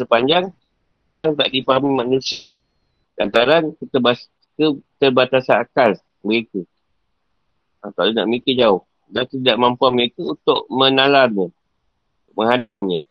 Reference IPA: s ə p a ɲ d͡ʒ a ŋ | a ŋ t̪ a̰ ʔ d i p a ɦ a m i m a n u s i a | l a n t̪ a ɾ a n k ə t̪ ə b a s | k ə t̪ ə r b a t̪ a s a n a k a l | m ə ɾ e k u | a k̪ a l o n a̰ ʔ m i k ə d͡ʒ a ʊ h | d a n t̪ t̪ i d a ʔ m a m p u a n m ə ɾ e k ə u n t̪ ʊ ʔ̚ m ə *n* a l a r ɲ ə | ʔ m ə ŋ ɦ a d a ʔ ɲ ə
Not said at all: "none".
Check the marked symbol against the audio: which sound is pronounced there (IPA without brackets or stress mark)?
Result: n